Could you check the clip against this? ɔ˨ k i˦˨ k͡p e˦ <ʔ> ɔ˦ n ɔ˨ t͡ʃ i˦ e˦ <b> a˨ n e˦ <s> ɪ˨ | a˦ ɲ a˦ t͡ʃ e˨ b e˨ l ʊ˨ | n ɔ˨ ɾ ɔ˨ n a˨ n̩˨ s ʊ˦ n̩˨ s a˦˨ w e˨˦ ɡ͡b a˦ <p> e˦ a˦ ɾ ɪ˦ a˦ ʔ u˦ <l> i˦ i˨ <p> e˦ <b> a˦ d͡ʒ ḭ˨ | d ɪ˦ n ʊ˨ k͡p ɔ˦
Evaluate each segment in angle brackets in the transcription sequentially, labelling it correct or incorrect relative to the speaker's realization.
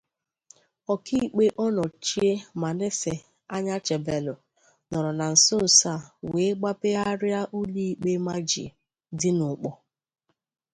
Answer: correct, incorrect, correct, correct, correct, incorrect, incorrect

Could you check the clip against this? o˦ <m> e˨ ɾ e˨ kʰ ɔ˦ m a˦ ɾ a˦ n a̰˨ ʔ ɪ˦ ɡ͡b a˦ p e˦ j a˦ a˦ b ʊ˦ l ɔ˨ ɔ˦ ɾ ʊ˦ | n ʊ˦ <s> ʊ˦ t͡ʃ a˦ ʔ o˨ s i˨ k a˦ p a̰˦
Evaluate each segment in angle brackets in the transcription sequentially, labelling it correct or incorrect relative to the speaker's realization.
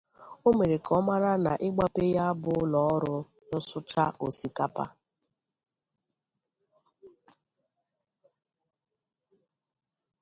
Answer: correct, correct

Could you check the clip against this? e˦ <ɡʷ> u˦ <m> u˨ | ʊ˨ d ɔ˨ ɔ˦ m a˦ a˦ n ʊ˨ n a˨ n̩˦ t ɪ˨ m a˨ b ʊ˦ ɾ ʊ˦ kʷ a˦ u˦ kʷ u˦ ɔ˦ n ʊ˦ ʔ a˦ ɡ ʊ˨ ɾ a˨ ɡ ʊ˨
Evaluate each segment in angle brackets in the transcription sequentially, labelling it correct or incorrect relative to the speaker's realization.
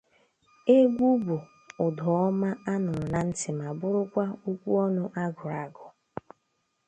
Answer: correct, incorrect

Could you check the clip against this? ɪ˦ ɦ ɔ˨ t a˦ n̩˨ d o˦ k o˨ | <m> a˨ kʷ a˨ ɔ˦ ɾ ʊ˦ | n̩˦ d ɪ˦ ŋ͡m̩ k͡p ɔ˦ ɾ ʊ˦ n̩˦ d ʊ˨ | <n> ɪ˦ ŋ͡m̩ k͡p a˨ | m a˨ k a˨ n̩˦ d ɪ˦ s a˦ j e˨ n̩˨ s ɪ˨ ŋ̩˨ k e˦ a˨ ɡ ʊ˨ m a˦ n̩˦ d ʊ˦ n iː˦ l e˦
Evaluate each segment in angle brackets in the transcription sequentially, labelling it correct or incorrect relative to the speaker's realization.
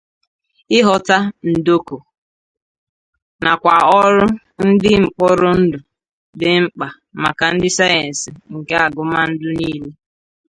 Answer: incorrect, incorrect

